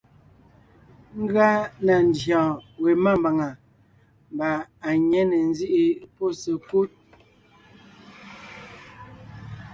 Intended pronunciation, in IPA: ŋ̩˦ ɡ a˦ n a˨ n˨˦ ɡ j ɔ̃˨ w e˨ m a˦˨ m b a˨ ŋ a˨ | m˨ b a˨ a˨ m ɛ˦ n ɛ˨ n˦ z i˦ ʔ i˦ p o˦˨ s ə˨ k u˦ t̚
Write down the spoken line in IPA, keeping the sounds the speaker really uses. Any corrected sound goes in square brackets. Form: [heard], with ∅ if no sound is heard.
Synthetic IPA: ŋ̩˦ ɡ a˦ n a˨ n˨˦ [d] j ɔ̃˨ w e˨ m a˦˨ m b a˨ ŋ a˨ | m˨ b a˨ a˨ [ɲ] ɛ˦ n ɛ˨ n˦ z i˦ ʔ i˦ p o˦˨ s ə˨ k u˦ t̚